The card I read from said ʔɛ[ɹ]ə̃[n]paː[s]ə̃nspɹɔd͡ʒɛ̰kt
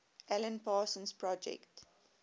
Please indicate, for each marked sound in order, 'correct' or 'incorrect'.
incorrect, correct, correct

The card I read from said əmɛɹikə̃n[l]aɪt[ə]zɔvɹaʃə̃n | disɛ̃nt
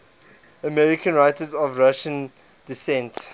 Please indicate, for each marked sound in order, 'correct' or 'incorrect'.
incorrect, correct

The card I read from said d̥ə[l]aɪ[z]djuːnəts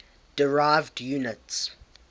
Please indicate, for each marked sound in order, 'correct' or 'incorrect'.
incorrect, incorrect

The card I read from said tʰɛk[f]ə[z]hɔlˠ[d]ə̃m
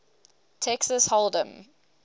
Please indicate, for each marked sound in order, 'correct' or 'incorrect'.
incorrect, incorrect, correct

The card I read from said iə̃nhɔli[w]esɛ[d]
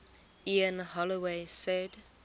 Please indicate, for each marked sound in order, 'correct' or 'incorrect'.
correct, correct

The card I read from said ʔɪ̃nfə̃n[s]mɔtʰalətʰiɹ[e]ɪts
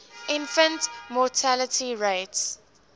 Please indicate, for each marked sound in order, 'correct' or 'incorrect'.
incorrect, correct

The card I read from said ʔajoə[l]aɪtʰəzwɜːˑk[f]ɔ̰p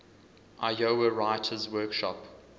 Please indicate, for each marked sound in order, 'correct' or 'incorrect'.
incorrect, incorrect

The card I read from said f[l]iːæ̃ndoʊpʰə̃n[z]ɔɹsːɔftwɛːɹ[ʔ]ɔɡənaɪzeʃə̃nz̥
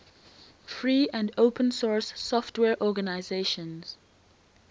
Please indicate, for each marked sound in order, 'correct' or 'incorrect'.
incorrect, incorrect, correct

